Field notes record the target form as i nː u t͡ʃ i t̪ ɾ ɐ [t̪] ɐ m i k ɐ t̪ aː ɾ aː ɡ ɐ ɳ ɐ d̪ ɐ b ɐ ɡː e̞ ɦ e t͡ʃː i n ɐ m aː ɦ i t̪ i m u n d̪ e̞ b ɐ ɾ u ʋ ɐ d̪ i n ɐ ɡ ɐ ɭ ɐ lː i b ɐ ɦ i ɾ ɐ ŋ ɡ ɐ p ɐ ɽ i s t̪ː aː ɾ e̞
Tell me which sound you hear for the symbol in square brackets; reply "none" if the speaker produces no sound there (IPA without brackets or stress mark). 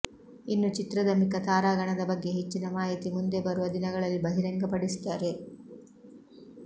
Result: d̪